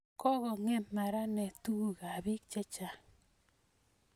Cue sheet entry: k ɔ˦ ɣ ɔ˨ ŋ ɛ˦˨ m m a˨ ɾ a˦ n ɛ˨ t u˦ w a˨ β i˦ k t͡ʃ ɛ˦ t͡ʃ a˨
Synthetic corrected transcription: k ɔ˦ ɣ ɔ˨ ŋ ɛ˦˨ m m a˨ ɾ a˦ n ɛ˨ t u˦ ɣ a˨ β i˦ k t͡ʃ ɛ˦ t͡ʃ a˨

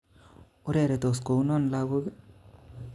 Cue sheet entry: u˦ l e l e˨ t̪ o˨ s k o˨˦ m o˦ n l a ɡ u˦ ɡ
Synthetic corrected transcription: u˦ ɾ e ɾ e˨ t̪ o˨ s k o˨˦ n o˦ n l a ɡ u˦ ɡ

